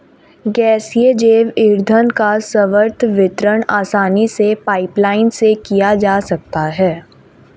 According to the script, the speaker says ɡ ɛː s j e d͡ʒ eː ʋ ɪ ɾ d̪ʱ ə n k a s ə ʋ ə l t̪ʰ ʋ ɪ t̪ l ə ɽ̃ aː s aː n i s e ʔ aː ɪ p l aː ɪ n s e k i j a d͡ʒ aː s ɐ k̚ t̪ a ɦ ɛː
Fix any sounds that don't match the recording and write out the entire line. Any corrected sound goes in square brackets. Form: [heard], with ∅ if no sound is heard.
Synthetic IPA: ɡ ɛː s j e d͡ʒ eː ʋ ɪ ɾ d̪ʱ ə n k a s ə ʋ ə [ɾ] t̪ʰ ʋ ɪ t̪ [ɾ] ə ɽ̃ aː s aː n i s e [p] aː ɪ p l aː ɪ n s e k i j a d͡ʒ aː s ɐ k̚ t̪ a ɦ ɛː

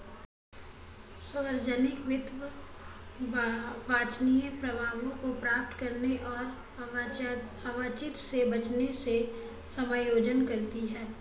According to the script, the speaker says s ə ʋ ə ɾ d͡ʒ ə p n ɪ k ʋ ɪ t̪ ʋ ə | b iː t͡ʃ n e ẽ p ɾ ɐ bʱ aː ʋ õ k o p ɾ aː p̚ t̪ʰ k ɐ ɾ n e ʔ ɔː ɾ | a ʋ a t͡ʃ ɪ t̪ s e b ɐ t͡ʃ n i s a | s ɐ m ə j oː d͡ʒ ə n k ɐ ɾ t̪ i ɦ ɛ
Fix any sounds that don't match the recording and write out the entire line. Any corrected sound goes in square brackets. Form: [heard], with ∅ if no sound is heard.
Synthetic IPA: s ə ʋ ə ɾ d͡ʒ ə [∅] n ɪ k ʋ ɪ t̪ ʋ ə | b [aː] t͡ʃ n [i] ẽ p ɾ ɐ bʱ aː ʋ õ k o p ɾ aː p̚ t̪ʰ k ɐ ɾ n e ʔ ɔː ɾ | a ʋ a t͡ʃ ɪ t̪ s e b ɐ t͡ʃ n [e] s [e] | s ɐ m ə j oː d͡ʒ ə n k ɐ ɾ t̪ i ɦ [ɛː]

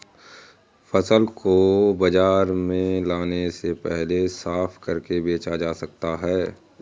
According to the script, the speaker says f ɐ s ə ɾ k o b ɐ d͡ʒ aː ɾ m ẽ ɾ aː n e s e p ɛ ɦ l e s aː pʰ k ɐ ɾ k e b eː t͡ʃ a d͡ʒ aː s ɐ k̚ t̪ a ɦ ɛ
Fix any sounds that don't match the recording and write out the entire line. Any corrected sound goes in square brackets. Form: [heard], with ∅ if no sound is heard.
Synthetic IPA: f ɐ s ə [l] k o b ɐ d͡ʒ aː ɾ m ẽ [l] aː n e s e p ɛ ɦ l e s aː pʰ k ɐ ɾ k e b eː t͡ʃ a d͡ʒ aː s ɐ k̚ t̪ a ɦ [ɛː]

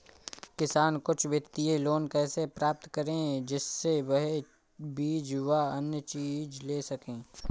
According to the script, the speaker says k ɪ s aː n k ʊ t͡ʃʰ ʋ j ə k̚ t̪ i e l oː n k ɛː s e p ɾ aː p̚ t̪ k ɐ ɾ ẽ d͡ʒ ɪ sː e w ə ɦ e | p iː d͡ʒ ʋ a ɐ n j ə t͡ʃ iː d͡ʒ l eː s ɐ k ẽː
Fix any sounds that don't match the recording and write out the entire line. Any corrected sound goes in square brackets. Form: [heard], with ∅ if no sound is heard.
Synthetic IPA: k ɪ s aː n k ʊ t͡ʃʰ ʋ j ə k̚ t̪ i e l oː n k ɛː s e p ɾ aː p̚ t̪ k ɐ ɾ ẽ d͡ʒ ɪ sː e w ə ɦ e | [b] iː d͡ʒ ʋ a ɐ n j ə t͡ʃ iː d͡ʒ l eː s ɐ k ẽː

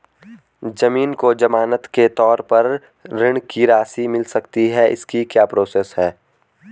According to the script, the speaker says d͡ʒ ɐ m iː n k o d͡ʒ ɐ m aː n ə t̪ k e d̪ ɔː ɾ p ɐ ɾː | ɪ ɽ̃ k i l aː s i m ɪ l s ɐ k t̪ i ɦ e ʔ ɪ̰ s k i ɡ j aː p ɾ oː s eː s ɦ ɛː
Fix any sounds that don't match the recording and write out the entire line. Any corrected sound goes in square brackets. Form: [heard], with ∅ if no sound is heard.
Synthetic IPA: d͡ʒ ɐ m iː n k o d͡ʒ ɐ m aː n ə t̪ k e [t̪] ɔː ɾ p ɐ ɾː | ɪ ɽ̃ k i [ɾ] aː s i m ɪ l s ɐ k t̪ i ɦ [ɛ] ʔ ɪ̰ s k i [k] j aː p ɾ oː s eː s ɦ ɛː

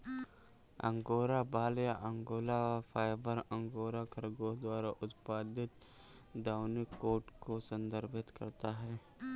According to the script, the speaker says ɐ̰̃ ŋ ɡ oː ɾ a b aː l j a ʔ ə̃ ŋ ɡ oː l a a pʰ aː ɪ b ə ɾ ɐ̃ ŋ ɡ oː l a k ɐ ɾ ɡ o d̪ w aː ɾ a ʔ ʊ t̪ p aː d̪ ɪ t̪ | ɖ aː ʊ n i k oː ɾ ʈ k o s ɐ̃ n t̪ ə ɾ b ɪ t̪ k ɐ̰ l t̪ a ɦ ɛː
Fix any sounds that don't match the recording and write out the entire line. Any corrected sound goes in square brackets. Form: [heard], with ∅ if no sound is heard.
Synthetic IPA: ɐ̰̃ ŋ ɡ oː ɾ a b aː l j a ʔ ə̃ ŋ ɡ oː l a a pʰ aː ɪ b ə ɾ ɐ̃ ŋ ɡ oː [ɾ] a k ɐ ɾ ɡ o d̪ w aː ɾ a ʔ ʊ t̪ p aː d̪ ɪ t̪ | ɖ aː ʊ n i k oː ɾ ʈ k o s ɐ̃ n [d̪] ə ɾ b ɪ t̪ k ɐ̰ [ɾ] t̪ a ɦ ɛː

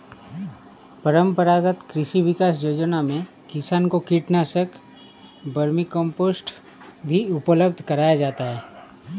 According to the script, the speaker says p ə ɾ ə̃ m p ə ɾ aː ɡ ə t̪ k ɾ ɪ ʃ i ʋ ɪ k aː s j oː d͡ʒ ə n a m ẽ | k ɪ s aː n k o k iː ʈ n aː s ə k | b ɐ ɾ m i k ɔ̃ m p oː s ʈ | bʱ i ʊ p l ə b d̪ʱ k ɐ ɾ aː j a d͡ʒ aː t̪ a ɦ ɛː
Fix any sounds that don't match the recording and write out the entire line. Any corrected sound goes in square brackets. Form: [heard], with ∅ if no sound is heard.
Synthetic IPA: p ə ɾ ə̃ m p ə ɾ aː ɡ ə t̪ k ɾ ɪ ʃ i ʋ ɪ k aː s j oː d͡ʒ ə n a m ẽ | k ɪ s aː n k o k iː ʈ n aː s ə k | b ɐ ɾ m i k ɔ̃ m p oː s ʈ | bʱ i ʊ p l ə b d̪ʱ k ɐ ɾ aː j a d͡ʒ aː t̪ a ɦ ɛː

